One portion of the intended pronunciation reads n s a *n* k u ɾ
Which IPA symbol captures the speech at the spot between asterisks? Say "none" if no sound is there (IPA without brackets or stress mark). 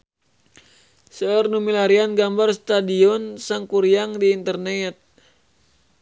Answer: ŋ